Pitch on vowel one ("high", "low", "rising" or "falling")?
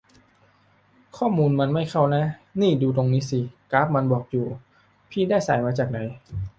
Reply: falling